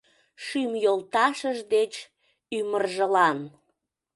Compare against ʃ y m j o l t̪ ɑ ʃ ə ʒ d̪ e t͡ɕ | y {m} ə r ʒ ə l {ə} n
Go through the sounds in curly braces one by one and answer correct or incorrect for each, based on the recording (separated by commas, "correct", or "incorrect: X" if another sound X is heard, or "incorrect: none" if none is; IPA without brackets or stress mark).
correct, incorrect: ɑ